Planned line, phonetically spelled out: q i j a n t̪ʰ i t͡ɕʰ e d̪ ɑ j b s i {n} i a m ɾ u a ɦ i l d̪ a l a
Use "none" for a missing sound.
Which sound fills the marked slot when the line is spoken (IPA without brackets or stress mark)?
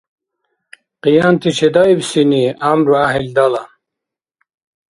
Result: n